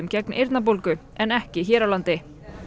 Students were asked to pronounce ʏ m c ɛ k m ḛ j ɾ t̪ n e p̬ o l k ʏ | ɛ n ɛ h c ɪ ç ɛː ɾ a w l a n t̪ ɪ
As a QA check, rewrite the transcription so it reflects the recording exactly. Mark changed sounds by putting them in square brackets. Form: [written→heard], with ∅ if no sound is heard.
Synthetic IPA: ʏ m c ɛ k [m→n] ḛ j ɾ t̪ n [e→a] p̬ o l k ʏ | ɛ n ɛ h c ɪ ç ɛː ɾ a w l a n t̪ ɪ